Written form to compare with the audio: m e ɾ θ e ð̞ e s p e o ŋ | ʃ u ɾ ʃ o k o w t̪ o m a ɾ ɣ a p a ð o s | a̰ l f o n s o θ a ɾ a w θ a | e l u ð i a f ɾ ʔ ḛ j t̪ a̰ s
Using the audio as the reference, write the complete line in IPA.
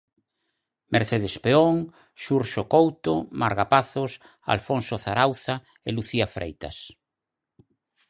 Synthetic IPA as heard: m e ɾ θ e ð̞ e s p e o ŋ | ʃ u ɾ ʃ o k o w t̪ o m a ɾ ɣ a p a θ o s | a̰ l f o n s o θ a ɾ a w θ a | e l u θ i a f ɾ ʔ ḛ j t̪ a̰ s